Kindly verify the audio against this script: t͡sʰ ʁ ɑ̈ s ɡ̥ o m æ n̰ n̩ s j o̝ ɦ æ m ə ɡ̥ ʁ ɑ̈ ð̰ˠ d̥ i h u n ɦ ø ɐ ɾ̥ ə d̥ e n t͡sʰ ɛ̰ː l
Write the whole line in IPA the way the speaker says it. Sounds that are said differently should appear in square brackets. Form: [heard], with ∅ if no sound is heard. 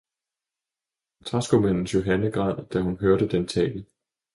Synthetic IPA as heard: t͡sʰ ʁ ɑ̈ s ɡ̥ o m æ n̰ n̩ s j o̝ ɦ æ [n] ə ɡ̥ ʁ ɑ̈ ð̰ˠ d̥ [æ] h u n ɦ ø ɐ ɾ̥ ə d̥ e n t͡sʰ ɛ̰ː l